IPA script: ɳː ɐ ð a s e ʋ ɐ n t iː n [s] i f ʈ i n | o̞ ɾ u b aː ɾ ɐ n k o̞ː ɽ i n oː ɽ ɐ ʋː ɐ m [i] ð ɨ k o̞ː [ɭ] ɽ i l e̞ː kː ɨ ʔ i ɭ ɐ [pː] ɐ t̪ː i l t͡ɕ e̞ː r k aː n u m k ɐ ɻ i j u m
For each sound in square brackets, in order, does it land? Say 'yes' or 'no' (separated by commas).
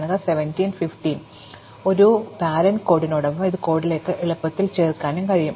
no, yes, no, yes